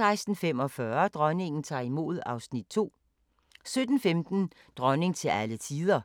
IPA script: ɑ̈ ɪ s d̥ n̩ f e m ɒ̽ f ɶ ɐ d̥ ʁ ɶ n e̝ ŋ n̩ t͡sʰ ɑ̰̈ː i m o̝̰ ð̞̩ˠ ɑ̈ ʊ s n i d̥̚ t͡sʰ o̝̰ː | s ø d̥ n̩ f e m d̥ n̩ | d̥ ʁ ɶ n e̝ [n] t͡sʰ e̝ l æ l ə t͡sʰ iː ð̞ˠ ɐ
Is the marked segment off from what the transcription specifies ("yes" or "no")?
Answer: yes